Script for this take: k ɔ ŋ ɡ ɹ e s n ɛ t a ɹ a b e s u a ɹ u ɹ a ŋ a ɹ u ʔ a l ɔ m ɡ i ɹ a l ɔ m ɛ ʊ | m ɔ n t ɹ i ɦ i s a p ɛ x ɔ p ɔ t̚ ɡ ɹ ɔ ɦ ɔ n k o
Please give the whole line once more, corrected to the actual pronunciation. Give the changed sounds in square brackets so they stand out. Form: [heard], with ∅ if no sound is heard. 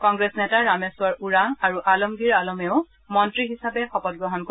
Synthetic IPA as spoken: k ɔ ŋ ɡ ɹ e s n ɛ t a ɹ a [m] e s [w] a ɹ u ɹ a ŋ a ɹ u ʔ a l ɔ m ɡ i ɹ a l ɔ m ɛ ʊ | m ɔ n t ɹ i ɦ i s a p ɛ x ɔ p ɔ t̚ ɡ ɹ ɔ ɦ ɔ n k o